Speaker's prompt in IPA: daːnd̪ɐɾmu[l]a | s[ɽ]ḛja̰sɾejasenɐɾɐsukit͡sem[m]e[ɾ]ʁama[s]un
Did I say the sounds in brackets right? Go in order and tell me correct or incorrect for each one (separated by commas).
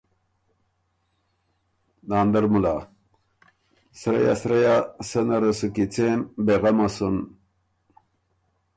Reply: correct, incorrect, incorrect, incorrect, correct